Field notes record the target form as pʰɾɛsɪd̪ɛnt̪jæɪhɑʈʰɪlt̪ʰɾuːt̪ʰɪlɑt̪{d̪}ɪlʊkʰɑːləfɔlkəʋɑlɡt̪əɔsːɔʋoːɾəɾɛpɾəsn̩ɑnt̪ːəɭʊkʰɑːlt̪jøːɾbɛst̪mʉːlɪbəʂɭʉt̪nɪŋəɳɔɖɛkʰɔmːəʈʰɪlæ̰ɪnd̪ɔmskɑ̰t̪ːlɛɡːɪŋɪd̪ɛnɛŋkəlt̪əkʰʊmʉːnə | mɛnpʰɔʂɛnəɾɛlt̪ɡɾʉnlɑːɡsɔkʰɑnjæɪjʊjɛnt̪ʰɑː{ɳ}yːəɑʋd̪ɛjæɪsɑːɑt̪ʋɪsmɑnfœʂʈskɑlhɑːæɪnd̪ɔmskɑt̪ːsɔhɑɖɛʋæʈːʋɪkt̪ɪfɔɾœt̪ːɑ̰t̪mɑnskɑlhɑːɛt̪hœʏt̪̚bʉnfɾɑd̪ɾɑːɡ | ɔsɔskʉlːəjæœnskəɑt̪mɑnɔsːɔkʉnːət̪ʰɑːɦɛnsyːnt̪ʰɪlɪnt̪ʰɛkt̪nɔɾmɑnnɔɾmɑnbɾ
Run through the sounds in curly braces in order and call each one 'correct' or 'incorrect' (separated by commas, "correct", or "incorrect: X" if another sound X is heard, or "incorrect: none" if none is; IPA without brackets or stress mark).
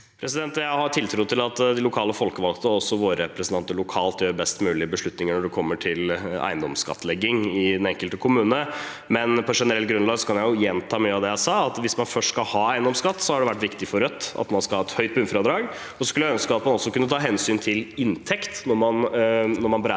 correct, incorrect: m